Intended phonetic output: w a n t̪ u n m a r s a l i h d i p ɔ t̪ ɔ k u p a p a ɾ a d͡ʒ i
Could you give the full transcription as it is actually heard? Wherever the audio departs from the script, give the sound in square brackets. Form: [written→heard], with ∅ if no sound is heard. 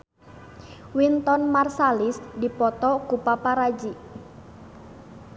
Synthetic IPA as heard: w [a→i] n t̪ [u→ɔ] n m a r s a l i [h→s] d i p ɔ t̪ ɔ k u p a p a ɾ a d͡ʒ i